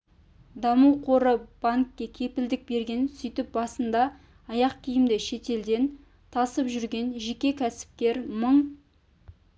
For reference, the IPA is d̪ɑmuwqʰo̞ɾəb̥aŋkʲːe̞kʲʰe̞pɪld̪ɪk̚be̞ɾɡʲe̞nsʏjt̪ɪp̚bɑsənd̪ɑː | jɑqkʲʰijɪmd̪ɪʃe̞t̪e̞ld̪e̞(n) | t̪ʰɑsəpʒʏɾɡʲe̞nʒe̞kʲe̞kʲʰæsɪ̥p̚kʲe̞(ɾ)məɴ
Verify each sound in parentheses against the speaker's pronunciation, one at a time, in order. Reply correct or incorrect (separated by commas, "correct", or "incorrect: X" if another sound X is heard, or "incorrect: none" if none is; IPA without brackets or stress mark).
correct, correct